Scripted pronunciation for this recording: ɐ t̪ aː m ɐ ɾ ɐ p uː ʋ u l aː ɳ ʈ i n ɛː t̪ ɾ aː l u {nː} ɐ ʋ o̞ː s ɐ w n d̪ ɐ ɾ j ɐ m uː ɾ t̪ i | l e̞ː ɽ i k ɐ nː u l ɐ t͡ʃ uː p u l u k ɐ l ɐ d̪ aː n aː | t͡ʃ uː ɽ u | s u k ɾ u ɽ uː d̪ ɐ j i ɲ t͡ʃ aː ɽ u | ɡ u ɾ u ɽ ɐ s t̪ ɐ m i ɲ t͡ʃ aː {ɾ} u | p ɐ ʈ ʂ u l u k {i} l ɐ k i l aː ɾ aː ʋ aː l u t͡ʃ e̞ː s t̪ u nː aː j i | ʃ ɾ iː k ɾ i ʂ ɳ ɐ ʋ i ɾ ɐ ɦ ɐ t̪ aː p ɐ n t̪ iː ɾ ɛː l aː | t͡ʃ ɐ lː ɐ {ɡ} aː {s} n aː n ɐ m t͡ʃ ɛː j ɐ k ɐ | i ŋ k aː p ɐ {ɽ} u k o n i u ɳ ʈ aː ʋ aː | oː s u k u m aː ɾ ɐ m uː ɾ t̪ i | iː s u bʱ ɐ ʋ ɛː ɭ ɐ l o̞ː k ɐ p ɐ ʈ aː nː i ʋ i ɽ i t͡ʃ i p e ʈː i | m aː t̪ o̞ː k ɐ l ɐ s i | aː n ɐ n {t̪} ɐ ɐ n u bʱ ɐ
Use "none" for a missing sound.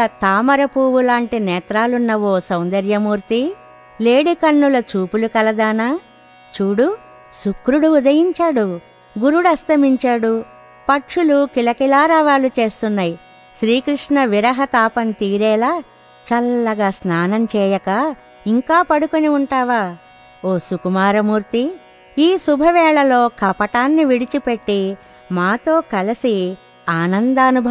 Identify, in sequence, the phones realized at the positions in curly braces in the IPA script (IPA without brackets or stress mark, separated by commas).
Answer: nː, ɽ, i, ɡ, s, ɽ, d̪